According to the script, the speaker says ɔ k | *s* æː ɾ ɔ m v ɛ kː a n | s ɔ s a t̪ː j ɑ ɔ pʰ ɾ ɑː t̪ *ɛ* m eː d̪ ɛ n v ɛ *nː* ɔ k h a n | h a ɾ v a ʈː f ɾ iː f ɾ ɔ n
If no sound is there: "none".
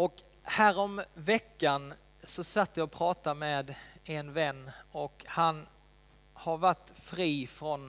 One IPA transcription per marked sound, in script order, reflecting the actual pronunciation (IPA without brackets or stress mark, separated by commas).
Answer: h, a, nː